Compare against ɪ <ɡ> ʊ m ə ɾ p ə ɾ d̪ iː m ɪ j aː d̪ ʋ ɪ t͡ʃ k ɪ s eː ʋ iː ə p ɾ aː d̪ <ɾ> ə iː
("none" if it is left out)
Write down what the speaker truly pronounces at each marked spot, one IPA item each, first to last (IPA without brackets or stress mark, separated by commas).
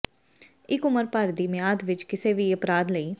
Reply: k, l